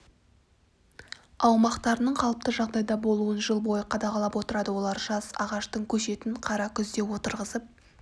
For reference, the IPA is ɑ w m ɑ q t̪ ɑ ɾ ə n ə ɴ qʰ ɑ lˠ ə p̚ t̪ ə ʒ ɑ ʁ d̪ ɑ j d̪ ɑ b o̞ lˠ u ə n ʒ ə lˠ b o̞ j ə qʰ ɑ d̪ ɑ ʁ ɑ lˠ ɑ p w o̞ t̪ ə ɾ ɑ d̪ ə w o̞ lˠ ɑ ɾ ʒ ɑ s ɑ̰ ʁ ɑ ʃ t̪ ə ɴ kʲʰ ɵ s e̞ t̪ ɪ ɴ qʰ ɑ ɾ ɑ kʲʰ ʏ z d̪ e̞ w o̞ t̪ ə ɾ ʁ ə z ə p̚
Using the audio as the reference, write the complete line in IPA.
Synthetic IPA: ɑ w m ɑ q t̪ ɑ ɾ ə n ə ɴ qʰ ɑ lˠ ə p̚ t̪ ə ʒ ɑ ʁ d̪ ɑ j d̪ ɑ b o̞ lˠ u ə n ʒ ə lˠ b o̞ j ə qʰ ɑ d̪ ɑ ʁ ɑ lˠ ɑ p w o̞ t̪ ə ɾ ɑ d̪ ə w o̞ lˠ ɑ ɾ ʒ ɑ s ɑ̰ ʁ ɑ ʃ t̪ ə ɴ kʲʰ ɵ ʃ e̞ t̪ ɪ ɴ qʰ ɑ ɾ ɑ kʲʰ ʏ z d̪ e̞ w o̞ t̪ ə ɾ ʁ ə z ə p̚